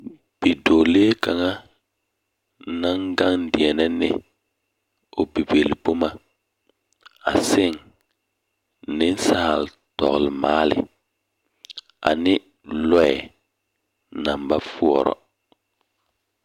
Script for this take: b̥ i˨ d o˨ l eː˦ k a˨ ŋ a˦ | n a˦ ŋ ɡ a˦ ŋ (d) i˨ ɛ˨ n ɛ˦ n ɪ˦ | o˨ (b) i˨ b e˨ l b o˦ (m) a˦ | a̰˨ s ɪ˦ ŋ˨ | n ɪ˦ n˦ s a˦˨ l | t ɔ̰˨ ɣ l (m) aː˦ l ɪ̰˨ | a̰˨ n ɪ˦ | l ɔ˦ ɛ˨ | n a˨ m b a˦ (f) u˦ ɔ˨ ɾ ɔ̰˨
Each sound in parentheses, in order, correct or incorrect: correct, correct, correct, correct, correct

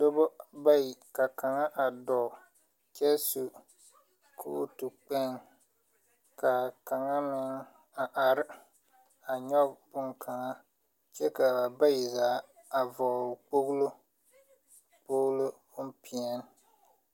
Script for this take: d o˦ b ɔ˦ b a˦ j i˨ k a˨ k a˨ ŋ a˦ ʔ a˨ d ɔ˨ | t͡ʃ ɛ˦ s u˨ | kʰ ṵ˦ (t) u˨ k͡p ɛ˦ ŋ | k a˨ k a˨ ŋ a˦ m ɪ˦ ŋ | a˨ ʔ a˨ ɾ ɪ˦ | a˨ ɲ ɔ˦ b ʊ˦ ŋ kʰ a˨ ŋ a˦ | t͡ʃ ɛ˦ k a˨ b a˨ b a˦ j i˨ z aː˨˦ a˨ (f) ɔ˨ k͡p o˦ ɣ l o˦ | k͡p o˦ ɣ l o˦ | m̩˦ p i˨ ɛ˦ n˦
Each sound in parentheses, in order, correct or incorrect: correct, incorrect

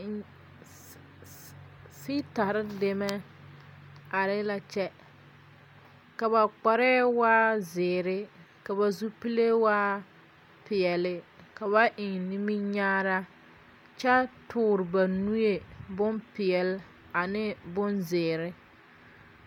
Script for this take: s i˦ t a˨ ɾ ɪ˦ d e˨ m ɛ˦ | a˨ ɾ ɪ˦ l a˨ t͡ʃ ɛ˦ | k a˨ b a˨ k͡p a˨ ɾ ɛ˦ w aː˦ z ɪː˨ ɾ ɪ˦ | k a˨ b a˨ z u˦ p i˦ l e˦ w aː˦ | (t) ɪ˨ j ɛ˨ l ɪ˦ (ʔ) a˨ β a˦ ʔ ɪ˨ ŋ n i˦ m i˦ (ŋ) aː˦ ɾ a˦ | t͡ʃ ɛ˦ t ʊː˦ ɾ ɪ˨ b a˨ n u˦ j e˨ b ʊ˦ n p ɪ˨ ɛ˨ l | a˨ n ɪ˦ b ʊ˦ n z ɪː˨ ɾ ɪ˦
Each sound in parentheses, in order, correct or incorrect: incorrect, incorrect, incorrect

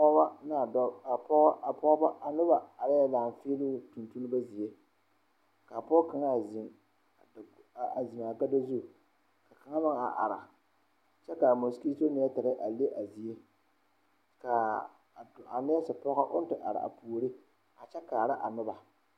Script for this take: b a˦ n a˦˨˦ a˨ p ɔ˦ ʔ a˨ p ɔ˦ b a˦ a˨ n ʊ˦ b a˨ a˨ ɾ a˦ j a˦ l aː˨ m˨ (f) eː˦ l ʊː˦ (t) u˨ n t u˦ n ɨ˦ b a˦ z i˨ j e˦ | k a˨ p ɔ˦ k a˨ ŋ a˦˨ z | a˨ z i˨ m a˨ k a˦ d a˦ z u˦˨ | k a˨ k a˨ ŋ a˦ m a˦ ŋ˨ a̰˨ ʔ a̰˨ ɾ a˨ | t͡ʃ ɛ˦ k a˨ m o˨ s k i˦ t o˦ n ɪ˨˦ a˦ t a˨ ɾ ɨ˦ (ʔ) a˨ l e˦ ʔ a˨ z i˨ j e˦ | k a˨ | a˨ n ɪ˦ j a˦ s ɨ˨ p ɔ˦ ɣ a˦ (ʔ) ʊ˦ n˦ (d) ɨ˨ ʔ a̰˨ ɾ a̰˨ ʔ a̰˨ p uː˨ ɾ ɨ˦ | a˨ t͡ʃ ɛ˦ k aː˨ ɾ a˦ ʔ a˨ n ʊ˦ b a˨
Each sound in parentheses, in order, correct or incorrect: correct, correct, correct, correct, incorrect

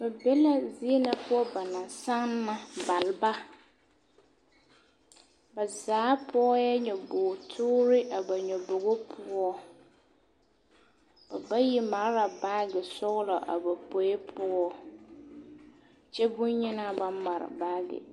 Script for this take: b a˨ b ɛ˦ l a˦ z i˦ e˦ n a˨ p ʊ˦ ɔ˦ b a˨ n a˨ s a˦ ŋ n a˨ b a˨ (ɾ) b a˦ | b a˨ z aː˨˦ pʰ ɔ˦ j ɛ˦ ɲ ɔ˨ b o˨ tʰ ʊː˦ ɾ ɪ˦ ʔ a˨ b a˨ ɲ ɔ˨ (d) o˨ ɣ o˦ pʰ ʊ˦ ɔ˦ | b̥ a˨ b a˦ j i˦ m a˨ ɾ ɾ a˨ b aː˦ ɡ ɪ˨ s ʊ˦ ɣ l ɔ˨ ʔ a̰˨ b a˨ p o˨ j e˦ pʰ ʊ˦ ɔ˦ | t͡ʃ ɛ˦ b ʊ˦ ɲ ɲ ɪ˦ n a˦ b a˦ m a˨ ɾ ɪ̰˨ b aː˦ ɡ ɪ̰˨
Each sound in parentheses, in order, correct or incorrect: incorrect, incorrect

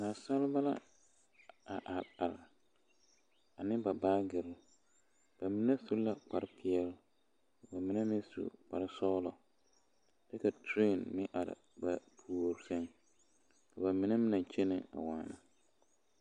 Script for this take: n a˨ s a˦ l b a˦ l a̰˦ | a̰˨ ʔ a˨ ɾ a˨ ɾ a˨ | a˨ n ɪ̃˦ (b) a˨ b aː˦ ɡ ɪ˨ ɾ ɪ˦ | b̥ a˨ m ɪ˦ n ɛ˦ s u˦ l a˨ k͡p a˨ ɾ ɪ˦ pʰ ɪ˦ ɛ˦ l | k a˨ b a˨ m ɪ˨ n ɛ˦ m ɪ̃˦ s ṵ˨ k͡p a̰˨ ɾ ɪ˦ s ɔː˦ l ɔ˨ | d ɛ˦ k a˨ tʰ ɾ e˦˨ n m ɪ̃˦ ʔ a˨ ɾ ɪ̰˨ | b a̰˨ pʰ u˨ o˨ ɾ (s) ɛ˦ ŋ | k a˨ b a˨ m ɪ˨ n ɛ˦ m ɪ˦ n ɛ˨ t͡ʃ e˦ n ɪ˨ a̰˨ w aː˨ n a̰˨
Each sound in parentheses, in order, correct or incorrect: correct, correct

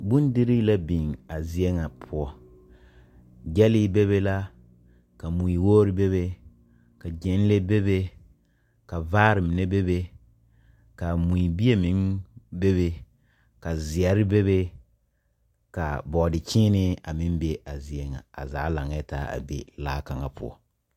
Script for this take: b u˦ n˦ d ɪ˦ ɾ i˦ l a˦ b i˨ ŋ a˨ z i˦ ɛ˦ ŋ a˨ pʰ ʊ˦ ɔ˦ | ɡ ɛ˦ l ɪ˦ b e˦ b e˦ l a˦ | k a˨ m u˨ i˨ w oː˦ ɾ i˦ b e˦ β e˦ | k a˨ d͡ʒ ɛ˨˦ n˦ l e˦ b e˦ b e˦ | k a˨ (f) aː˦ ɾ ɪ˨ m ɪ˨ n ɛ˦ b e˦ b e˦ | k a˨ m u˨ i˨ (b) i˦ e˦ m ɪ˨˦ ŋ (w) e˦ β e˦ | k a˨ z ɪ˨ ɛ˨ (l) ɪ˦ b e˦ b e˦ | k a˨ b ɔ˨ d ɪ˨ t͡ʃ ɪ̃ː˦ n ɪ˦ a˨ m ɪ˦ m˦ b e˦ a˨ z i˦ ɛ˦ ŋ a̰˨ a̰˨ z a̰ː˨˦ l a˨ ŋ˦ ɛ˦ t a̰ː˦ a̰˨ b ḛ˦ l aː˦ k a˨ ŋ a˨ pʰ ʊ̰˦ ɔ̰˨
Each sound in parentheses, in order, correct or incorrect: incorrect, correct, incorrect, incorrect

